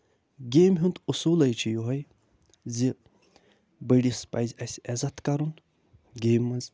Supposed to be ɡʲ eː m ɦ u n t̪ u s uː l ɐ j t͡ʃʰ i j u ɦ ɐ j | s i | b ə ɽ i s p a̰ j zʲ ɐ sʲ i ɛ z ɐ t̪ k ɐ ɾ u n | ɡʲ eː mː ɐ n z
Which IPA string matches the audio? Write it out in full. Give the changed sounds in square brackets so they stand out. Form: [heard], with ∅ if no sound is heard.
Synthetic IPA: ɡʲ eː m ɦ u n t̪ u s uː l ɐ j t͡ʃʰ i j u ɦ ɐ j | [z] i | b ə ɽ i s p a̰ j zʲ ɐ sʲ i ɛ z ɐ t̪ k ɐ ɾ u n | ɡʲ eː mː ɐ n z